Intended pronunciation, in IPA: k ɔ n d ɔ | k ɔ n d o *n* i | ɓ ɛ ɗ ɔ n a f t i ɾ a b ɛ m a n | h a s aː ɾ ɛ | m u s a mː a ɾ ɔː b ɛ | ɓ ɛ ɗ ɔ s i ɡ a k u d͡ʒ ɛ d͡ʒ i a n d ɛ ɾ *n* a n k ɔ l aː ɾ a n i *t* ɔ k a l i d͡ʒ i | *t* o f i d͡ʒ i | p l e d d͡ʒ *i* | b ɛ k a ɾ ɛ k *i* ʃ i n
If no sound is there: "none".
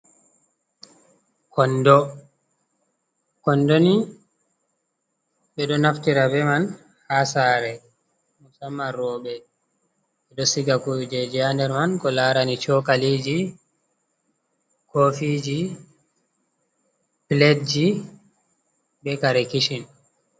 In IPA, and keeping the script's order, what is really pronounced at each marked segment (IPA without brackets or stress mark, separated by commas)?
n, m, t͡ʃ, k, i, i